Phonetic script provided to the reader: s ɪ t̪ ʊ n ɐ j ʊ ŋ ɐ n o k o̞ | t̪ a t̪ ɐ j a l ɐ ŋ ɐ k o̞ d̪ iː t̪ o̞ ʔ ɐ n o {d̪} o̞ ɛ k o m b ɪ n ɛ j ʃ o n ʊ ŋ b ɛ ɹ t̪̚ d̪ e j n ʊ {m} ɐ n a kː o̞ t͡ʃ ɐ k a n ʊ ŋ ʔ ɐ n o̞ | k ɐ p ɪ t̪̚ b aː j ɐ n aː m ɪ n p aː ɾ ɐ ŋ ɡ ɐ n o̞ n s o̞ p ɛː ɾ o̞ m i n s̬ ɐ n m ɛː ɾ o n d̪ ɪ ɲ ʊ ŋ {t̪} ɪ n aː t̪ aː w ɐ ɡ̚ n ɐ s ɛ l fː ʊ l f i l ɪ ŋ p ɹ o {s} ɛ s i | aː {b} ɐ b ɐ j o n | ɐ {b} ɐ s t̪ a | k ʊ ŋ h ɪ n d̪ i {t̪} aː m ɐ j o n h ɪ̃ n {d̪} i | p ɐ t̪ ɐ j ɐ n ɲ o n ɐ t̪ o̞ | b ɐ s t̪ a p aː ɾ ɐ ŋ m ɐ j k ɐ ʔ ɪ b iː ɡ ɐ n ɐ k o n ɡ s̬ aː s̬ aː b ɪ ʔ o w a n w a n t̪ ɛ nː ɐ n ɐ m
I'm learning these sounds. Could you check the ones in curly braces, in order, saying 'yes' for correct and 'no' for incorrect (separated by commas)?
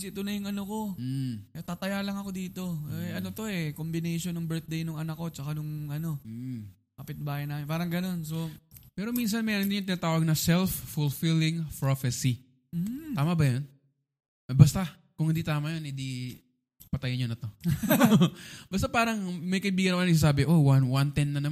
no, no, yes, no, no, yes, yes, yes